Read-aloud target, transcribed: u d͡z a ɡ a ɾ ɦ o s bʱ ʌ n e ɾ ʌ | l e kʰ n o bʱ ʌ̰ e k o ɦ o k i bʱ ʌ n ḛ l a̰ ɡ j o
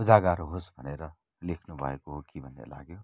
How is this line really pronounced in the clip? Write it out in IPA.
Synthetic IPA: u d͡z a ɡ a ɾ ɦ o s bʱ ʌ n e ɾ ʌ | l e kʰ n u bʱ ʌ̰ e k o ɦ o k i bʱ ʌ n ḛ l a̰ ɡ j o